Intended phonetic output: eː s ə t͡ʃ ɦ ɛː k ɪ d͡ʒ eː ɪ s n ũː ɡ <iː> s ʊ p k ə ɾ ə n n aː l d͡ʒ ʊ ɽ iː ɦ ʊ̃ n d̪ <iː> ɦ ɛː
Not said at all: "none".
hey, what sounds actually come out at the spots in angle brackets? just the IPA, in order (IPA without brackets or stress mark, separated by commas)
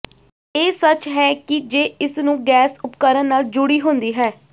ɛː, iː